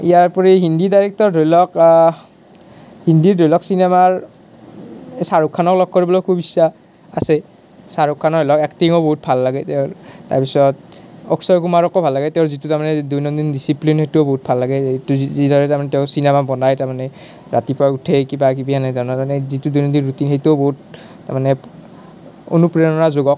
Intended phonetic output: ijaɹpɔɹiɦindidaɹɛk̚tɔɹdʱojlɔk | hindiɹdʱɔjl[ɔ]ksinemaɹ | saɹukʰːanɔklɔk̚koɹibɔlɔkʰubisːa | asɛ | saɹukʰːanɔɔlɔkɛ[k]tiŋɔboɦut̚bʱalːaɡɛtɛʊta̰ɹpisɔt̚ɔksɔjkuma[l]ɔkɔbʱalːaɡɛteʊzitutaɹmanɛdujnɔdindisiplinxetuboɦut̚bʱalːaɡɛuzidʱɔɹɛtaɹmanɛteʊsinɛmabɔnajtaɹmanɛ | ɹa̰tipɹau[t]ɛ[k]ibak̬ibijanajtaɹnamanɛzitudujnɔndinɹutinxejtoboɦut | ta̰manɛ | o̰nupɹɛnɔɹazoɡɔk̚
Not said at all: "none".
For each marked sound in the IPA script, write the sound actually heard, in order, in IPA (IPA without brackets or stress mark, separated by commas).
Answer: ɔ, k, ɹ, tʰ, k